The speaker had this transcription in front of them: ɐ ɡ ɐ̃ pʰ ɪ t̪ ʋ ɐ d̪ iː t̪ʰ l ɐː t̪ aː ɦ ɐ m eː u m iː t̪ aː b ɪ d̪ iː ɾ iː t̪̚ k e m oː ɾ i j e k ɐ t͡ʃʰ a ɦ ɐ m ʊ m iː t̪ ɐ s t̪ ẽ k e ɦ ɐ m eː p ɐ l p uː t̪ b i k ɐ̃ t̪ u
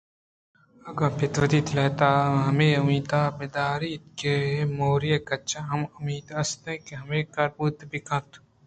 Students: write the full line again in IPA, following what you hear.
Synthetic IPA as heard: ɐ ɡ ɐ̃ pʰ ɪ t̪ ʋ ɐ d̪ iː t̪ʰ l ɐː t̪ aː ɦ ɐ m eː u m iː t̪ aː b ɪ d̪ aː ɾ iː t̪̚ k e m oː ɾ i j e k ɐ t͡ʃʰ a ɦ ɐ m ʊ m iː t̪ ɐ s t̪ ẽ k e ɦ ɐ m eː k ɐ ɾ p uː t̪ b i k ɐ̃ t̪ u